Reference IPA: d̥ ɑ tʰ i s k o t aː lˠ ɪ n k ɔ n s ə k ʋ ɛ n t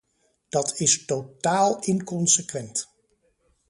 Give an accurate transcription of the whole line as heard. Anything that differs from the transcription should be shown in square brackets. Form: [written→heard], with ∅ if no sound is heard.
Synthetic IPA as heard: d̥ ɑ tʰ [i→ɪ] s [k→t] o t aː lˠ ɪ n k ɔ n s ə k ʋ ɛ n t